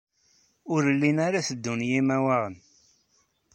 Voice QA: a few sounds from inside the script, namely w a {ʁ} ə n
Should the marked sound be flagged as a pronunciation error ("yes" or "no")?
no